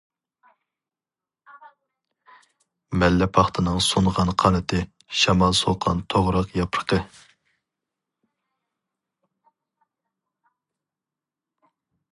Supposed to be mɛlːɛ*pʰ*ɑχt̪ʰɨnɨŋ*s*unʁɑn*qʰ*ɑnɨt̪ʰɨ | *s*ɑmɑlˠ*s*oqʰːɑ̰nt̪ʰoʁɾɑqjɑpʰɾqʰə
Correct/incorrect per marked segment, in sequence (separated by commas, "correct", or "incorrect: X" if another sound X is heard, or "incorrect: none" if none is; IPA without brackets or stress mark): correct, correct, correct, incorrect: ʃ, correct